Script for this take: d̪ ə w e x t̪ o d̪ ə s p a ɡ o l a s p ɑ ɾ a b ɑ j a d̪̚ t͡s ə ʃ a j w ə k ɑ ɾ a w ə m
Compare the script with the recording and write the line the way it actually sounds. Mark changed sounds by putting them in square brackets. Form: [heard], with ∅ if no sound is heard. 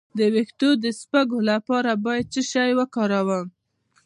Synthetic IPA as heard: d̪ ə w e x t̪ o d̪ ə s p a ɡ o l a [∅] p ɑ ɾ a b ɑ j a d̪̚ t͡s ə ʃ a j w ə k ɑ ɾ a w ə m